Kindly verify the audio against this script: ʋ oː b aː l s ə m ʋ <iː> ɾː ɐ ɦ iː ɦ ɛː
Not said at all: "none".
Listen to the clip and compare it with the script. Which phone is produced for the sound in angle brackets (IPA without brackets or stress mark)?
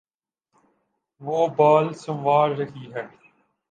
aː